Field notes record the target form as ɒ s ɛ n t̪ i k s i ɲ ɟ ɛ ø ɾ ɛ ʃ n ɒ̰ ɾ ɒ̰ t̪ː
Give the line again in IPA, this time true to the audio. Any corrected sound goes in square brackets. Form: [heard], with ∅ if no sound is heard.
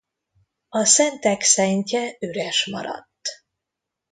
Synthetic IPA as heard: ɒ s ɛ n t̪ [ɛ] k s [ɛ] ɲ [c] ɛ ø ɾ ɛ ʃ [m] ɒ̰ ɾ ɒ̰ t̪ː